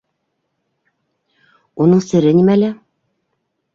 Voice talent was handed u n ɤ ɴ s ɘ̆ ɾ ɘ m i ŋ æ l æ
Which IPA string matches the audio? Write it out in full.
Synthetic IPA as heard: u n ɤ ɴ s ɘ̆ ɾ ɘ n i m æ l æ